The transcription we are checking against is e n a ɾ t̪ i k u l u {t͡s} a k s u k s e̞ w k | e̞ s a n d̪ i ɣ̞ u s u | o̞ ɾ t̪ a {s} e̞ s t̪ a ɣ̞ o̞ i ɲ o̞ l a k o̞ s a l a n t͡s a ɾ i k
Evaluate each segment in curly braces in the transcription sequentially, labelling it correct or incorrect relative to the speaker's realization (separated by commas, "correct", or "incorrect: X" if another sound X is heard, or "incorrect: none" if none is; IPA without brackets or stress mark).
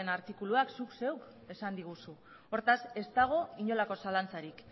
incorrect: none, correct